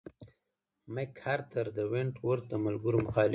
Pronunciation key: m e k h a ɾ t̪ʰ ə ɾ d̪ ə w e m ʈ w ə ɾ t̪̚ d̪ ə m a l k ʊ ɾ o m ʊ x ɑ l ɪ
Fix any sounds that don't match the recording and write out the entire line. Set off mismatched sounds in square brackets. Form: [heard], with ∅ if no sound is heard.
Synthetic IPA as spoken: m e k h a ɾ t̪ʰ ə ɾ d̪ ə w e [ɳ] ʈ w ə ɾ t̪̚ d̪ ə m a l [ɡ] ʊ ɾ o m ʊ x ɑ l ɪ